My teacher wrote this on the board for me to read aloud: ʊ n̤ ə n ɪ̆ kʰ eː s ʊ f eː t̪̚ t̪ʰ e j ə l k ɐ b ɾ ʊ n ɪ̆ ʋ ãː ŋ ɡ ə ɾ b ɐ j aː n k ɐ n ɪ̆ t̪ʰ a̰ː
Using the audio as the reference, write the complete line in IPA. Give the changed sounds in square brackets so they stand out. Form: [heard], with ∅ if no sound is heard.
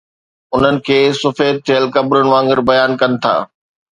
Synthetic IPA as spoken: ʊ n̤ ə n ɪ̆ kʰ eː s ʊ f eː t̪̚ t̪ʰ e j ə l k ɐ b ɾ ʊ n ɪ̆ ʋ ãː ŋ ɡ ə ɾ b ɐ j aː n k ɐ n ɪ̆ t̪ʰ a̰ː